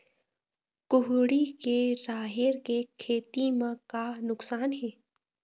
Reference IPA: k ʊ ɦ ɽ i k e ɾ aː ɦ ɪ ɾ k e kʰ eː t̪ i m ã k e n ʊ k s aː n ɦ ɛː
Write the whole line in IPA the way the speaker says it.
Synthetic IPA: k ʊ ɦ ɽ i k e ɾ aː ɦ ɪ ɾ k e kʰ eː t̪ i m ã k a n ʊ k s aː n ɦ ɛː

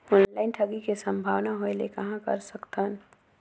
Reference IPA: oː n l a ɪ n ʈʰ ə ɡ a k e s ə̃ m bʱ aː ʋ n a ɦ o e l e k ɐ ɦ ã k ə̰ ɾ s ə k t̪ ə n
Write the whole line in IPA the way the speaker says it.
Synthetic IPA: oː n l a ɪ n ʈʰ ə ɡ i k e s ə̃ m bʱ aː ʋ n a ɦ o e l e k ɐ ɦ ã k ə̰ ɾ s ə k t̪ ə n

